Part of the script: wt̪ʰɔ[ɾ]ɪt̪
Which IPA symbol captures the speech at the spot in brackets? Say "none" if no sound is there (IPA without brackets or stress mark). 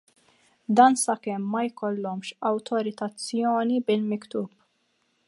ɾ